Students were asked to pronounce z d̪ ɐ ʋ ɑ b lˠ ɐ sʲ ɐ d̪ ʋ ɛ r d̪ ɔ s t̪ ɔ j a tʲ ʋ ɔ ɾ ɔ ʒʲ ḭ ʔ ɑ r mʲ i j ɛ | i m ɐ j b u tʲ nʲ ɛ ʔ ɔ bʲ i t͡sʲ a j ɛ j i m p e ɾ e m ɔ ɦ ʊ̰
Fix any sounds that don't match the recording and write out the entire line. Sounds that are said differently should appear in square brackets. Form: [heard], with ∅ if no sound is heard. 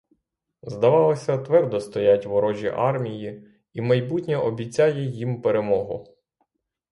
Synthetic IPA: z d̪ ɐ ʋ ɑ [∅] lˠ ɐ sʲ ɐ [t̪] ʋ ɛ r d̪ ɔ s t̪ ɔ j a tʲ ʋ ɔ ɾ ɔ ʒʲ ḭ ʔ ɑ r mʲ i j [i] | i m ɐ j b u tʲ nʲ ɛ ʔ ɔ bʲ i t͡sʲ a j ɛ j i m p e ɾ e m ɔ ɦ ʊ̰